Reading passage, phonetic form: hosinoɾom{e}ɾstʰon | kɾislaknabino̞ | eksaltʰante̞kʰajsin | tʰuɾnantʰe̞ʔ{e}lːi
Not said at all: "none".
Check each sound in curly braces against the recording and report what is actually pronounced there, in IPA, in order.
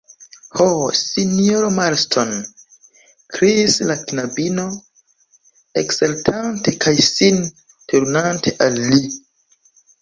a, a

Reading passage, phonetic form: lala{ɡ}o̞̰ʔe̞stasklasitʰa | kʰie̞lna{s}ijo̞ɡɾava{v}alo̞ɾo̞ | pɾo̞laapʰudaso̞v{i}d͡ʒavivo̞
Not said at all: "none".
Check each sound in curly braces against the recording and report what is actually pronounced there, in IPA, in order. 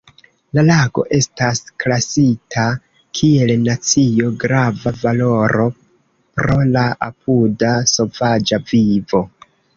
ɡ, t͡s, v, a

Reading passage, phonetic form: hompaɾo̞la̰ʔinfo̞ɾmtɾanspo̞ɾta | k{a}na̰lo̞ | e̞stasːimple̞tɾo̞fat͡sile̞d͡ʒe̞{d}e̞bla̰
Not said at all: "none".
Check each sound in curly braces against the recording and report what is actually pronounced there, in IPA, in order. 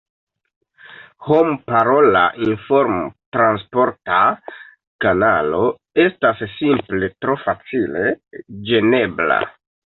a, n

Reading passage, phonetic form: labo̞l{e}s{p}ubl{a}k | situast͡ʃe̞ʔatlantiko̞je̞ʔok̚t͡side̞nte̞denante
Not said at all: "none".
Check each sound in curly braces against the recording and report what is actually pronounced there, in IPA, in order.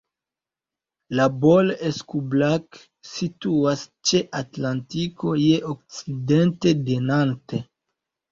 e, k, a

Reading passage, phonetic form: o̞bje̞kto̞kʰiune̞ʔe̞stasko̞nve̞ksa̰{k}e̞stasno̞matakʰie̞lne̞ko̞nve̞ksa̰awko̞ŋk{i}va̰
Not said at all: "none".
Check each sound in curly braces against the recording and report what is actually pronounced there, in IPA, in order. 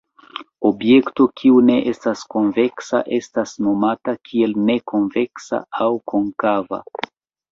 ʔ, a

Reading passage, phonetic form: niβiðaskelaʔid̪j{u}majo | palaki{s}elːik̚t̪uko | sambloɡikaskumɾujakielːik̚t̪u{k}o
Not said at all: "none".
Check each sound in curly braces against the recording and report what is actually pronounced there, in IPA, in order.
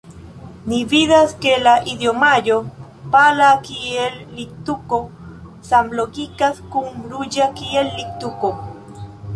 o, none, k

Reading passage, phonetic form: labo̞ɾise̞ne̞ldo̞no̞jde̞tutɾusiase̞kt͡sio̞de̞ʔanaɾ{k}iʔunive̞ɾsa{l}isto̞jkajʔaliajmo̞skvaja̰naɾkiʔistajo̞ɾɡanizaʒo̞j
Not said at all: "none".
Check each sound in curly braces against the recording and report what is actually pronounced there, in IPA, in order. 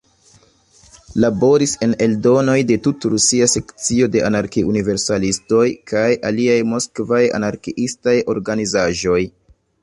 k, l

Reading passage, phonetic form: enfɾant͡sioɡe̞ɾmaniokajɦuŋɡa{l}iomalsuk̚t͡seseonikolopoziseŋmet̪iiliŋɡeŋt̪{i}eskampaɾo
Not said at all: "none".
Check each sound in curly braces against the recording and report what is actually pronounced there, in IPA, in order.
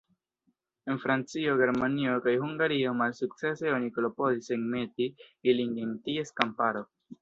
ɾ, i

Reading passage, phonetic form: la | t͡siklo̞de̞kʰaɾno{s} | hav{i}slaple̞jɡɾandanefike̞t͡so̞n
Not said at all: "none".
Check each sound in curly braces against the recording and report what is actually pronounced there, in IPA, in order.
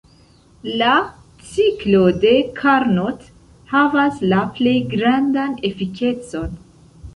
t, a

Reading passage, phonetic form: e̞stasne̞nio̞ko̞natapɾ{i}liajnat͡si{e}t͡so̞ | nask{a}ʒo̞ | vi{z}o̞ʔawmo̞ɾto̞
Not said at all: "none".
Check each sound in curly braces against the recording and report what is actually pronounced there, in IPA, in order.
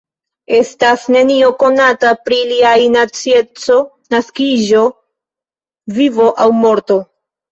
i, e, i, v

